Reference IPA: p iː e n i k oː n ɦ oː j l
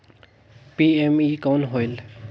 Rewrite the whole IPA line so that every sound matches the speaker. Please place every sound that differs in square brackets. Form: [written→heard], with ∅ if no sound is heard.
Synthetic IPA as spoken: p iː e [n→m] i k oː n ɦ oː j l